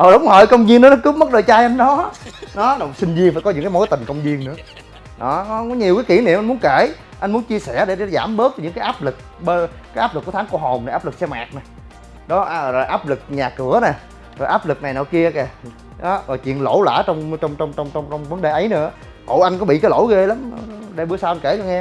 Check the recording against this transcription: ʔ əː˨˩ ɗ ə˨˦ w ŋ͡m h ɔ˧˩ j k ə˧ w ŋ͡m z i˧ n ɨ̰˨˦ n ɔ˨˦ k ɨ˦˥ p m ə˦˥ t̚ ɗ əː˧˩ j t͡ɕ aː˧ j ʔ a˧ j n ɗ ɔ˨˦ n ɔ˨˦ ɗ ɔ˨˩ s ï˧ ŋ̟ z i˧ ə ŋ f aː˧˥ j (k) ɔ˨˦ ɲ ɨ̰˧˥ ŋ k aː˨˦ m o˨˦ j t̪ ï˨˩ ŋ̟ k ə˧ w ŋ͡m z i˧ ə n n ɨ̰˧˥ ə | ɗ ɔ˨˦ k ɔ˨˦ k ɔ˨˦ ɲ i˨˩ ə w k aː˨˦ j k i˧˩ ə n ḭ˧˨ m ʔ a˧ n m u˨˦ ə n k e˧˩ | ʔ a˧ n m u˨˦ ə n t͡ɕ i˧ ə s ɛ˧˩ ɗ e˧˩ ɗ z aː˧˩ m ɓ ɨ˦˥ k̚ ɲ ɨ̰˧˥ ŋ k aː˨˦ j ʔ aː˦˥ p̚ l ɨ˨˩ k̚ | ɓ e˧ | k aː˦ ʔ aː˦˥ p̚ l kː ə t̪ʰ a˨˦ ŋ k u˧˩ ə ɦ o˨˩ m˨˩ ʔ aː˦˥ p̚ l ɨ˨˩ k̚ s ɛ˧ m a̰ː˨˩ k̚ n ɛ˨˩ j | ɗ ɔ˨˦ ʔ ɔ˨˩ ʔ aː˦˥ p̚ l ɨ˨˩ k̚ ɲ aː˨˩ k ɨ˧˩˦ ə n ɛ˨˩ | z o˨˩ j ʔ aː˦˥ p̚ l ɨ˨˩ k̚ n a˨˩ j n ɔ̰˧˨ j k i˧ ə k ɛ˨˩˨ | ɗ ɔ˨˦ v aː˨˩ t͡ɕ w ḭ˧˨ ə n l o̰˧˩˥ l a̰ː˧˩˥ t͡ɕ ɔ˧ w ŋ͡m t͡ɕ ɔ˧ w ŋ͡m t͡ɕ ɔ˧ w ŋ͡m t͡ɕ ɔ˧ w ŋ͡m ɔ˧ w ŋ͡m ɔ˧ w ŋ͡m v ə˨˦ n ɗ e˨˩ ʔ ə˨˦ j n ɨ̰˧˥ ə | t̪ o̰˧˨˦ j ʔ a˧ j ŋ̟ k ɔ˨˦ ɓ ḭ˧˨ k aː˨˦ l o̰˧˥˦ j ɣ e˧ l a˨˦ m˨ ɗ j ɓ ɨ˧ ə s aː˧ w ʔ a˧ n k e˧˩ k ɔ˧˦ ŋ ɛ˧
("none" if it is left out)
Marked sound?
k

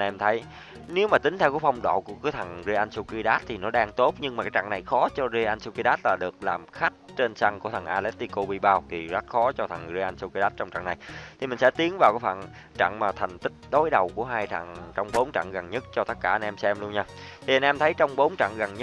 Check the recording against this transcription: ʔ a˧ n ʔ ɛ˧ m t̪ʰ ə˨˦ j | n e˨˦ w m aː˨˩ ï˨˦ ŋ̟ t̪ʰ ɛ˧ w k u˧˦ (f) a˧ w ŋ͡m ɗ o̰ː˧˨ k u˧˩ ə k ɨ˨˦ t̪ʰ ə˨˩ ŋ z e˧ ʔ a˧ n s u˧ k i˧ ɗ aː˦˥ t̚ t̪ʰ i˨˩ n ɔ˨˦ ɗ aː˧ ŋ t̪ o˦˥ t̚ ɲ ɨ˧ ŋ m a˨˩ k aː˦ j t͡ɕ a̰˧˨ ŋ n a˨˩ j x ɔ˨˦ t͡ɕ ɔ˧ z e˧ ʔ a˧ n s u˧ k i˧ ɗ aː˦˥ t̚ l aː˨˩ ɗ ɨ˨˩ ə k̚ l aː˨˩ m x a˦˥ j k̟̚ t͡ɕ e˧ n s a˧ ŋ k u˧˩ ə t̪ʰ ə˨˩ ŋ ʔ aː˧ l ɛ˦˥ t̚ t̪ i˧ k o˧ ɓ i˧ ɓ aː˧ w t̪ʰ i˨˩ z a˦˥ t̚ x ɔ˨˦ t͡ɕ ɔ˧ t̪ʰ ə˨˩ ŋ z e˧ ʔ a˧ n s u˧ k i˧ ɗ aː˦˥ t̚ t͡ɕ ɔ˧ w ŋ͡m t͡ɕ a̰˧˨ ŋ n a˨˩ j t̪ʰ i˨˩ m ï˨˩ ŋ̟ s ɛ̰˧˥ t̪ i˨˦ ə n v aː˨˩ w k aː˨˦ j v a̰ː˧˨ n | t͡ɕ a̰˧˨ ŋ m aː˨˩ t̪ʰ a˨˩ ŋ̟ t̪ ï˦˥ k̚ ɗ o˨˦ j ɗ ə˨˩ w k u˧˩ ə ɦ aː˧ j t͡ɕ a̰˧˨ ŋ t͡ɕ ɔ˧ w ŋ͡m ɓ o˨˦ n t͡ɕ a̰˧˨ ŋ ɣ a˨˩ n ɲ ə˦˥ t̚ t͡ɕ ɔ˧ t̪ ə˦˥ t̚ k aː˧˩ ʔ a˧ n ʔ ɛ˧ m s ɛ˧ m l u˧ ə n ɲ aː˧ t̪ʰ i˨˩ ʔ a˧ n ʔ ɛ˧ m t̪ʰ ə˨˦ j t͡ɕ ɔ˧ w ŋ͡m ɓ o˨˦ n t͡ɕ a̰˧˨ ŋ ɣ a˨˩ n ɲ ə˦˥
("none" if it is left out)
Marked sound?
f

